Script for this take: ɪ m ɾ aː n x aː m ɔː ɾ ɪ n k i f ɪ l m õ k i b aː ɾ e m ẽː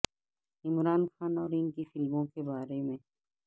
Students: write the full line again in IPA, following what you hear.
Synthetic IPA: ɪ m ɾ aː n x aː n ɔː ɾ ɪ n k i f ɪ l m õ k e b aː ɾ e m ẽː